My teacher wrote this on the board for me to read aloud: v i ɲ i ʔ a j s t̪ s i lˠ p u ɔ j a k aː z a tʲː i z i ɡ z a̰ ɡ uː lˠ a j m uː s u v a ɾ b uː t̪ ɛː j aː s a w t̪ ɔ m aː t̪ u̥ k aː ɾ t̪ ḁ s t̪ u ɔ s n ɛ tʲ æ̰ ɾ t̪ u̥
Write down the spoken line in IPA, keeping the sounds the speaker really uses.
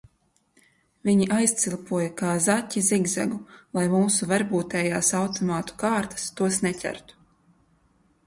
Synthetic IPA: v i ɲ i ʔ a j s t̪ s i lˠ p u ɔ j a k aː z a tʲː i z i ɡ z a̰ ɡ u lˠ a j m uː s u v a ɾ b uː t̪ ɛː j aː s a w t̪ ɔ m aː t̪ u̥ k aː ɾ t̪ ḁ s t̪ u ɔ s n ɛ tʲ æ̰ ɾ t̪ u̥